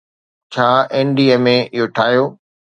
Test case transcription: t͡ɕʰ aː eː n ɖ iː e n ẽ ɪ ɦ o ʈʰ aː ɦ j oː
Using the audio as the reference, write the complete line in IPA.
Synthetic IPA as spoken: t͡ɕʰ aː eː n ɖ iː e m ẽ ɪ ɦ o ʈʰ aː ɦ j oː

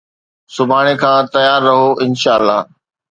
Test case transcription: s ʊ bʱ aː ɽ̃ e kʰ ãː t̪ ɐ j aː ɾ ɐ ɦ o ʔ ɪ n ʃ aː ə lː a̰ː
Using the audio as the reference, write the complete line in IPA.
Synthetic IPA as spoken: s ʊ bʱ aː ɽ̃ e kʰ ãː t̪ ɐ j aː ɾː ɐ ɦ o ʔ ɪ n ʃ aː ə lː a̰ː

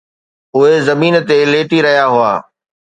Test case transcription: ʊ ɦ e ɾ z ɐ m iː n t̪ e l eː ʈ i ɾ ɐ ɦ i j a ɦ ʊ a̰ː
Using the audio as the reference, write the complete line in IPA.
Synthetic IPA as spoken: ʊ ɦ e z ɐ m iː n t̪ e l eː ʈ i ɾ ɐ ɦ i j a ɦ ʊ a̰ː

